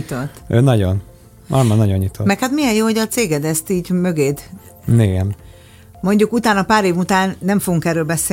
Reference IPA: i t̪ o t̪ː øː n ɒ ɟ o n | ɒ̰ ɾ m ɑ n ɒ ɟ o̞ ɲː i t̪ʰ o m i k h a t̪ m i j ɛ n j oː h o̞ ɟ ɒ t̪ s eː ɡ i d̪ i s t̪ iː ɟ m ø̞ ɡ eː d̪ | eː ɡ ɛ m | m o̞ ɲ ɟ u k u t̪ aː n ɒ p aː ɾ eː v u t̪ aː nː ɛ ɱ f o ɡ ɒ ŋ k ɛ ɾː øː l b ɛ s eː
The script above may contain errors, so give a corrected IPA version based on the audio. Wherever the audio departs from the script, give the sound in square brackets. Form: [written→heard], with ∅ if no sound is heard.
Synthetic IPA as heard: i t̪ o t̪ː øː n ɒ ɟ o n | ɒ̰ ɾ m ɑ n ɒ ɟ o̞ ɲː i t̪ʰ o m [i→ɛ] k h a t̪ m i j ɛ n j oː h o̞ ɟ ɒ t̪ s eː ɡ [i→ɛ] d̪ [i→ɛ] s t̪ iː ɟ m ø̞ ɡ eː d̪ | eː ɡ ɛ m | m o̞ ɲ ɟ u k u t̪ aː n ɒ p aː ɾ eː v u t̪ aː nː ɛ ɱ f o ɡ [ɒ→u] ŋ k ɛ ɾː øː l b ɛ s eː